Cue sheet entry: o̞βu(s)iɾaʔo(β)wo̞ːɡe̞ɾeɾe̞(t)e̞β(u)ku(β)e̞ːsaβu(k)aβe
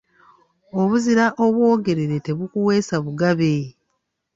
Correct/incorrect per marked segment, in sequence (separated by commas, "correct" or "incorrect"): incorrect, correct, correct, correct, incorrect, incorrect